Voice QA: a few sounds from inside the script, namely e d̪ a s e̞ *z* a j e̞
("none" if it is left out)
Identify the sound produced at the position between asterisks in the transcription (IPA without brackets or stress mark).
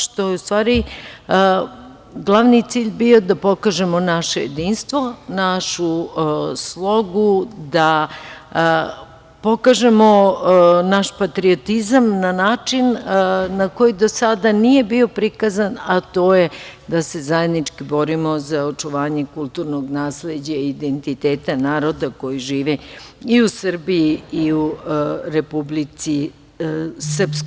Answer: z